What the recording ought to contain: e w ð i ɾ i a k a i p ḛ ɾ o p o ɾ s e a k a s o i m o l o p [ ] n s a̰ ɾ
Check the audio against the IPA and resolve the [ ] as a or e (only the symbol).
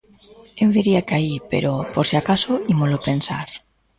e